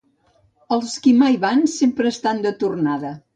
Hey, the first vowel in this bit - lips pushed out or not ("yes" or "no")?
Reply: no